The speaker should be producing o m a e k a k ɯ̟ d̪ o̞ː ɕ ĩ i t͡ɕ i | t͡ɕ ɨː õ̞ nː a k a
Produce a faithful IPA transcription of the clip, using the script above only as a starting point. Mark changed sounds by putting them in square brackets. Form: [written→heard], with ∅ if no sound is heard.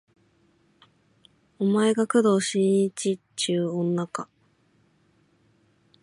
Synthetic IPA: o m a e [k→ɡ] a k ɯ̟ d̪ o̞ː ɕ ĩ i t͡ɕ i | t͡ɕ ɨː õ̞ nː a k a

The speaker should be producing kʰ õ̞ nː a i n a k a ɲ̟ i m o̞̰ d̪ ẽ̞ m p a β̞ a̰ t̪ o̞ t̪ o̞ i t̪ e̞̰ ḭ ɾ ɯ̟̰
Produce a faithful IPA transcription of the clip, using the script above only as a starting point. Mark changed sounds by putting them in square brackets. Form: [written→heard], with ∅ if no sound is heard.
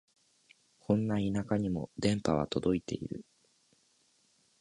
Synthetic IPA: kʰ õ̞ nː a i n a k a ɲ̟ i m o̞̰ d̪ ẽ̞ m p a β̞ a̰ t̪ o̞ [t̪→d̪] o̞ i t̪ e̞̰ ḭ ɾ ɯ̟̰

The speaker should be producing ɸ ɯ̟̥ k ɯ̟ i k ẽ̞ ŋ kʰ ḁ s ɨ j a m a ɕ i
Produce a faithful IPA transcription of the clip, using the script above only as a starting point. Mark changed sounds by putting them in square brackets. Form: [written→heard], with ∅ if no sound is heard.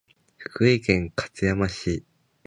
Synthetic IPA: ɸ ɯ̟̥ k ɯ̟ i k ẽ̞ ŋ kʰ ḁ [s→t͡s] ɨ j a m a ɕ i

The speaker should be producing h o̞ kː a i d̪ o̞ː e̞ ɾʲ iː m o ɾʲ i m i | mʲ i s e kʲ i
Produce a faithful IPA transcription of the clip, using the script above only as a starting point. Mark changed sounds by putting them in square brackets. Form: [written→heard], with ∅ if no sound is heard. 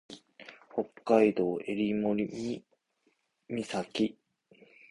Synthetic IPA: h o̞ kː a i d̪ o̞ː e̞ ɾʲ [iː→i] m o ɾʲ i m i | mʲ i s [e→a] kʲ i

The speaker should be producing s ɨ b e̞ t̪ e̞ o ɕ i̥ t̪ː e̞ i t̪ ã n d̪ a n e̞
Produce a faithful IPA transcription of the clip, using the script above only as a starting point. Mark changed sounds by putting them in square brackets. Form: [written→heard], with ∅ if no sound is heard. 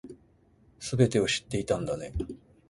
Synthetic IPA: s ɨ b e̞ t̪ e̞ o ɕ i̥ t̪ː e̞ i t̪ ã n d̪ a n e̞

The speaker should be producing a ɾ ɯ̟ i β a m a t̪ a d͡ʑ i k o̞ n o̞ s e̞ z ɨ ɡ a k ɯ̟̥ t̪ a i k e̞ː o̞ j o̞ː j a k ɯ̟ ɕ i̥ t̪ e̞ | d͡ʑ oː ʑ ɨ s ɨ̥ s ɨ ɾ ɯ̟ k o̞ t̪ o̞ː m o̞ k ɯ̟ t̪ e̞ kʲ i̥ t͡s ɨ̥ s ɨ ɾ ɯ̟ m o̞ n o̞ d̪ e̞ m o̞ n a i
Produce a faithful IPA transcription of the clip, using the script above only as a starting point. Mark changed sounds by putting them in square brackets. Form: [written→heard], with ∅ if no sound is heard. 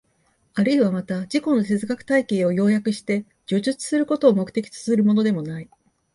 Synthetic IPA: a ɾ ɯ̟ i β a m a t̪ a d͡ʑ i k o̞ n o̞ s e̞ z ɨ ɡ a k ɯ̟̥ t̪ a i k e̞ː o̞ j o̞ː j a k ɯ̟ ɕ i̥ t̪ e̞ | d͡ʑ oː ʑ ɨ [s→t͡s] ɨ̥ s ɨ ɾ ɯ̟ k o̞ t̪ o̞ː m o̞ k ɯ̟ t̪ e̞ kʲ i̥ t͡s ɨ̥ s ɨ ɾ ɯ̟ m o̞ n o̞ d̪ e̞ m o̞ n a i

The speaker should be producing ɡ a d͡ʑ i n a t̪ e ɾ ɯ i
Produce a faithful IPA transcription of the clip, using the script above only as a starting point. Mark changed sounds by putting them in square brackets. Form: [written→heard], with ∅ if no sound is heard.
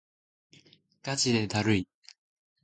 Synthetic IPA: [ɡ→k] a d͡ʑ i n [a→e] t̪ [e→a] ɾ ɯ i

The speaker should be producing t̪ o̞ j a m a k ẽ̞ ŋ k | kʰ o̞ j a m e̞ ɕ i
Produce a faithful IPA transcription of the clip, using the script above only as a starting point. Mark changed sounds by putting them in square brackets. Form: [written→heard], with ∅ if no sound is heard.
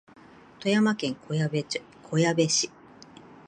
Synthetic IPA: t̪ o̞ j a m a k ẽ̞ ŋ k | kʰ o̞ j a [m→b] e̞ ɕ i

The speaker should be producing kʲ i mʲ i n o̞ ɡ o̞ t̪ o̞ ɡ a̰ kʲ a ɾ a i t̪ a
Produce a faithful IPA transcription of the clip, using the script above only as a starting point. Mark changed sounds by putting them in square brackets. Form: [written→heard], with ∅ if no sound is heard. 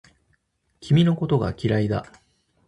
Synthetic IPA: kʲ i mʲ i n o̞ [ɡ→k] o̞ t̪ o̞ ɡ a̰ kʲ [a→i] ɾ a i [t̪→d̪] a

